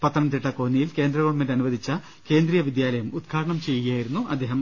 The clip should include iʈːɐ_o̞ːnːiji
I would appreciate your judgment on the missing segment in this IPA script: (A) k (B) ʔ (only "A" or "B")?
A